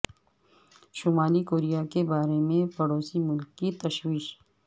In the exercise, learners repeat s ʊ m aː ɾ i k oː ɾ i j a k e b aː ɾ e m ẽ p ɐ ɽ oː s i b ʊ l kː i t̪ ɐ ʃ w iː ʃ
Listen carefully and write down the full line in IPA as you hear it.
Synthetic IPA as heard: ʃ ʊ m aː l i k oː ɾ i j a k e b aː ɾ e m ẽ p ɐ ɽ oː s i m ʊ l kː i t̪ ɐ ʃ w iː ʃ